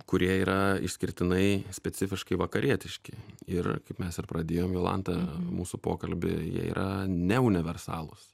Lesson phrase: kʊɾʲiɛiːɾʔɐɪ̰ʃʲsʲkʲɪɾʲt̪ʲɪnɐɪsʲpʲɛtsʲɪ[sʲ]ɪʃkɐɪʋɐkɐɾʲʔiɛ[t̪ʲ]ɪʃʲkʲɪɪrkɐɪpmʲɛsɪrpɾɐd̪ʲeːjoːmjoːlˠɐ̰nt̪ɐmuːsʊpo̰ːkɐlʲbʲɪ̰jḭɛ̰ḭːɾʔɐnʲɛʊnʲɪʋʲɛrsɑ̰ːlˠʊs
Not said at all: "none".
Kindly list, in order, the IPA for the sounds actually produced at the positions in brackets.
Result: fʲ, t̪ʲ

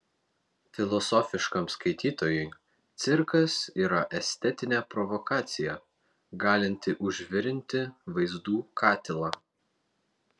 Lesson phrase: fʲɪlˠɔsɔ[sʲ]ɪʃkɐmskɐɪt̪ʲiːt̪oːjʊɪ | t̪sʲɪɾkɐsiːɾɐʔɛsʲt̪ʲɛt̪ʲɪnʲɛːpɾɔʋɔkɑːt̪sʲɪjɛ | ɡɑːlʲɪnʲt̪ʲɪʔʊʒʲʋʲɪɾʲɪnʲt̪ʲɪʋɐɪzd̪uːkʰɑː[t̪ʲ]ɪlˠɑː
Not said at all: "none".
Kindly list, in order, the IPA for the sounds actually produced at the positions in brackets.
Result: fʲ, t̪ʲ

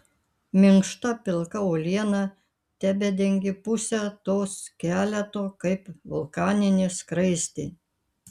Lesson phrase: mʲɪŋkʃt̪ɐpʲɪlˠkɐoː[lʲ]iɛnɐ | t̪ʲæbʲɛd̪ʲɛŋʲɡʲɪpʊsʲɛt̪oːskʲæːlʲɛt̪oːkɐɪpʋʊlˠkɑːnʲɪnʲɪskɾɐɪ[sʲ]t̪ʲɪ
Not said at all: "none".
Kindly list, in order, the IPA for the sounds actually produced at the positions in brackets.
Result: lʲ, sʲ

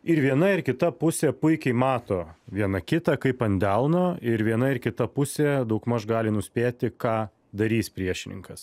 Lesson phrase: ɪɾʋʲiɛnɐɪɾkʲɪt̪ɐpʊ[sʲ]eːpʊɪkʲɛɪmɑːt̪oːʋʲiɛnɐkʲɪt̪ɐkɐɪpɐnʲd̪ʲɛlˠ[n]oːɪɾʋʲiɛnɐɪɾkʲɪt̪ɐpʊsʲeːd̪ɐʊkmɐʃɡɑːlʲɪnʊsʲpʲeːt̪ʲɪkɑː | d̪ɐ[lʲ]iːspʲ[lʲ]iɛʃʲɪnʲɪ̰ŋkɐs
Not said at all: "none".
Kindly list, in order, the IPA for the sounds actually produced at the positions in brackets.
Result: sʲ, n, ɾʲ, ɾʲ

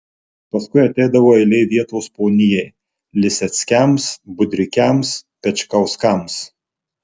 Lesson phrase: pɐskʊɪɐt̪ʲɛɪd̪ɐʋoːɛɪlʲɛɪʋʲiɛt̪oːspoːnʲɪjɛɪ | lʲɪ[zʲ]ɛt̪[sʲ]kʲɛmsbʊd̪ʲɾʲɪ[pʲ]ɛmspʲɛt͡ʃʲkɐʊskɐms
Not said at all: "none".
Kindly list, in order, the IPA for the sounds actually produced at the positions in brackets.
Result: sʲ, sʲ, kʲ

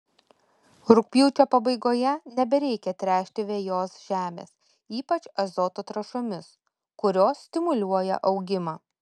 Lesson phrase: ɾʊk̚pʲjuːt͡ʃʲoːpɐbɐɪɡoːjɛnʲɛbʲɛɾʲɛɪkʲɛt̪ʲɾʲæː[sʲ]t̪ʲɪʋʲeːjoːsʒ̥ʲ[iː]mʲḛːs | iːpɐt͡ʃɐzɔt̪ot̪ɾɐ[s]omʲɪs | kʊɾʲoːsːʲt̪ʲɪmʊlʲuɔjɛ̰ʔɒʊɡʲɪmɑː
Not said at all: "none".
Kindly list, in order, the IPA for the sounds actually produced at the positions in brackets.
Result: ʃʲ, æː, ʃ

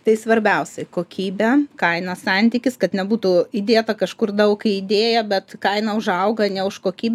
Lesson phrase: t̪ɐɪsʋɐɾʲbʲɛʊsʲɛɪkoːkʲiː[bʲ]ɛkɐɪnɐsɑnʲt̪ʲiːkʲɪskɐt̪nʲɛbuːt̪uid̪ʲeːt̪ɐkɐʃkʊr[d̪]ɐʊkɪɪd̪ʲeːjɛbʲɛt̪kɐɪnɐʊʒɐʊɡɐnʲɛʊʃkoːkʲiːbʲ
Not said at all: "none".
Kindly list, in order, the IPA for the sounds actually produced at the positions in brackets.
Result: bʲ, d̪

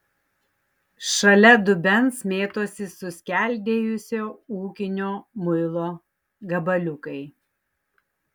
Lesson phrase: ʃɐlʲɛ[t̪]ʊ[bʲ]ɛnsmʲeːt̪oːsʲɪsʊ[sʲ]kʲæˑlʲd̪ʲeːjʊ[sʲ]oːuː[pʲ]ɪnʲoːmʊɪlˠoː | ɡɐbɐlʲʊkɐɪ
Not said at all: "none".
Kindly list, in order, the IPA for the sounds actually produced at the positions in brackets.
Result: d̪, bʲ, sʲ, sʲ, kʲ

